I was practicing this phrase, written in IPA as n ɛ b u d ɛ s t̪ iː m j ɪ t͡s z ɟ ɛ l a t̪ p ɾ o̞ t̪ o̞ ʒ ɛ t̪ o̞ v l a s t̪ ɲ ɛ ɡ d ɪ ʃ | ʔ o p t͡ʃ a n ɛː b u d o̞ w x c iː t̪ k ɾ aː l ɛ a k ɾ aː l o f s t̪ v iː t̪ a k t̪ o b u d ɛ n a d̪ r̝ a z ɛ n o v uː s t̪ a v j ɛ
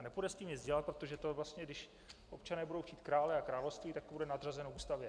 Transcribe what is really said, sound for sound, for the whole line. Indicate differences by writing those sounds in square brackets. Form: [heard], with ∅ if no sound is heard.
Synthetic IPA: n ɛ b u d ɛ s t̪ iː m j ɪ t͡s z ɟ ɛ l a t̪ p ɾ o̞ t̪ o̞ ʒ ɛ t̪ o̞ v l a s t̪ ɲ ɛ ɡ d ɪ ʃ | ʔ o p t͡ʃ a n ɛː b u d o̞ w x c iː t̪ k ɾ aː l ɛ a k ɾ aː l o f s t̪ v iː t̪ a k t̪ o b u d ɛ n a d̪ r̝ a z ɛ n o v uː s t̪ a v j ɛ